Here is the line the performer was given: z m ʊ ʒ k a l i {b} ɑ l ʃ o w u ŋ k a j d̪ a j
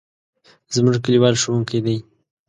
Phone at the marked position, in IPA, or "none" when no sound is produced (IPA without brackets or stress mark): w